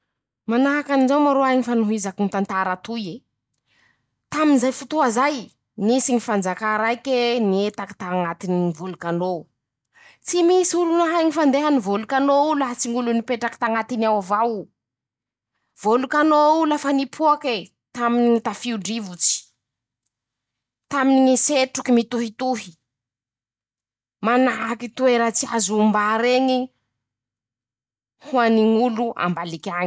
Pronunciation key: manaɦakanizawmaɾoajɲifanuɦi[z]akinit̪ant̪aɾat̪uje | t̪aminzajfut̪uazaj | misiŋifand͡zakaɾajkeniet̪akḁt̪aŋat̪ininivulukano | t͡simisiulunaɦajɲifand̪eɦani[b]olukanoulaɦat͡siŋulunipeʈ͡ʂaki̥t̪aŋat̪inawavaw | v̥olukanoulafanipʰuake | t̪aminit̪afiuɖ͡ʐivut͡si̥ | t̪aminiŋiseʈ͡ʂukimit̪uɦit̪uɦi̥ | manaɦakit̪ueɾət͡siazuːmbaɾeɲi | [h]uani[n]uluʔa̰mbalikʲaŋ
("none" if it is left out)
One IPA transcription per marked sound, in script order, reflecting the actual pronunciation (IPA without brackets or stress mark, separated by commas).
z, v, h, ŋ